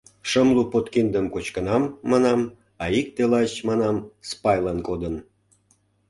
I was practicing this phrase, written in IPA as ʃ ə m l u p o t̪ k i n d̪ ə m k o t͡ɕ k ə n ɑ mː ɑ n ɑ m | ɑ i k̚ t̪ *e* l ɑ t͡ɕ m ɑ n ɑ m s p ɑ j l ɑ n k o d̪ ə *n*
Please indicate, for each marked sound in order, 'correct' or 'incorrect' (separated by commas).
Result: correct, correct